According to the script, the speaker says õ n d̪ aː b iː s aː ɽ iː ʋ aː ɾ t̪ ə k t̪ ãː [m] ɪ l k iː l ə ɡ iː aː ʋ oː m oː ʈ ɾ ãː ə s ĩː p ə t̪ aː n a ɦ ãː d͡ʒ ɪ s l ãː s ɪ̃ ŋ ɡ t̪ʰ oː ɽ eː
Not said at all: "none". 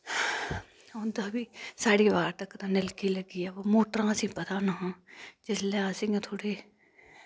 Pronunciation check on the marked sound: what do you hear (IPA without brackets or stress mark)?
n